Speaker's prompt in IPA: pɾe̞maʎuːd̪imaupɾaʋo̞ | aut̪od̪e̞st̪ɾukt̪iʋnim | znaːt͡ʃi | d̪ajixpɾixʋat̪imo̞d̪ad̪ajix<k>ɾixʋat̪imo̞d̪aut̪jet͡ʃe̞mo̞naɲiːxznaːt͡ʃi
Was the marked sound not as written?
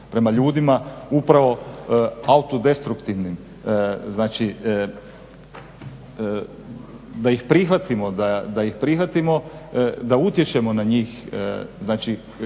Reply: yes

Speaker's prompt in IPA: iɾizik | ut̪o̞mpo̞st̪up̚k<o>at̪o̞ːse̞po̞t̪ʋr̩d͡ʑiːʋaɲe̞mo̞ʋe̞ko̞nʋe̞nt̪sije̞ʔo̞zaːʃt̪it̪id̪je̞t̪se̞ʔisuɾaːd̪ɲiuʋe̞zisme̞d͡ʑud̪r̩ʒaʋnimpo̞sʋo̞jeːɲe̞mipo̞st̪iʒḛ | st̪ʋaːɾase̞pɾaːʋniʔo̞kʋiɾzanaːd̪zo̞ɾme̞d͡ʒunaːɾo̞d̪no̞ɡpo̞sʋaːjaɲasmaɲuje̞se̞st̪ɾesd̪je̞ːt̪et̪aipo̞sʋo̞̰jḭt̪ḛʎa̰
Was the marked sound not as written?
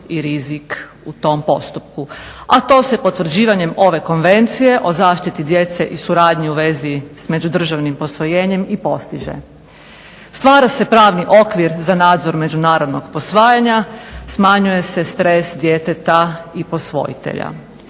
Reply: yes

